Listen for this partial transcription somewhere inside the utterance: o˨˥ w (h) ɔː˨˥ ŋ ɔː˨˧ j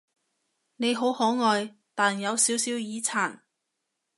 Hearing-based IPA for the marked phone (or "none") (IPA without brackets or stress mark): h